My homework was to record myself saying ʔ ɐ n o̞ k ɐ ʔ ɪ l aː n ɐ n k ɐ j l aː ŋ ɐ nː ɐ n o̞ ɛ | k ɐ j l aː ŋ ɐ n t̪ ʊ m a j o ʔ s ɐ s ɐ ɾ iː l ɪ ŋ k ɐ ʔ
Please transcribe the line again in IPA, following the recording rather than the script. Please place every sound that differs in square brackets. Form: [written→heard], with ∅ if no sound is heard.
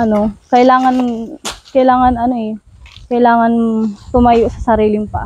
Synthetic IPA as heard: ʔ ɐ n o̞ k ɐ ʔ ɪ l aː [n→ŋ] ɐ n k ɐ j l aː ŋ ɐ [nː→n] ɐ n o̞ ɛ | k ɐ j l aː ŋ ɐ n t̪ ʊ m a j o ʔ s ɐ s ɐ ɾ iː l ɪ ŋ [k→p] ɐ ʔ